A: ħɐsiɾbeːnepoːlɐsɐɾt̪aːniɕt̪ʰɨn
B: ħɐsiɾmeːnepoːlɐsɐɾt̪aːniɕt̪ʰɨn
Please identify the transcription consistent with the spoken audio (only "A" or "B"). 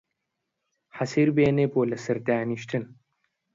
A